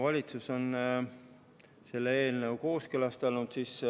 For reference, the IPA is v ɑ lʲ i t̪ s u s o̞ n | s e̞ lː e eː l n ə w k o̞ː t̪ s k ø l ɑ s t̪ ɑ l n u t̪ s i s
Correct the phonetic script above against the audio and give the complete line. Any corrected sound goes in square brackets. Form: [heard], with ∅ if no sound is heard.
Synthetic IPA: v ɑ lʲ i t̪ s u s o̞ n | s e̞ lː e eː l n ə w k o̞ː [∅] s k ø l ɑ s t̪ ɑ l n u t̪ s i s